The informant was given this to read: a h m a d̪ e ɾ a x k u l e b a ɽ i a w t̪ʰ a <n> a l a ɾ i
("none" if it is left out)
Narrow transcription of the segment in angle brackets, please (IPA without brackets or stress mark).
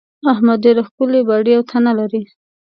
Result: n